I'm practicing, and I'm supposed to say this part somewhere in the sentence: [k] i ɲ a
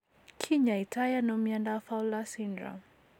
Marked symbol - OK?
no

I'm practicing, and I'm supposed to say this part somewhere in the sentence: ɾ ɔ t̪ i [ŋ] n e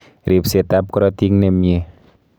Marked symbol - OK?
yes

